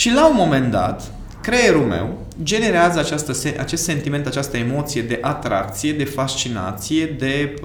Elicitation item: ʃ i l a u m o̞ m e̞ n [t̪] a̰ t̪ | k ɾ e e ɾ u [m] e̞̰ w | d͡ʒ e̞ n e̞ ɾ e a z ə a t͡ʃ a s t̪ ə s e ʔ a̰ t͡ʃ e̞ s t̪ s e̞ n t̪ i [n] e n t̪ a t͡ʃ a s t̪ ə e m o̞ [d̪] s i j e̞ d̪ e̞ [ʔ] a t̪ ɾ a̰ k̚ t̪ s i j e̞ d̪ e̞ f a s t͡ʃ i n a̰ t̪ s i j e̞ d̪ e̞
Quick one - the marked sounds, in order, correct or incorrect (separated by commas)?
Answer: incorrect, correct, incorrect, incorrect, correct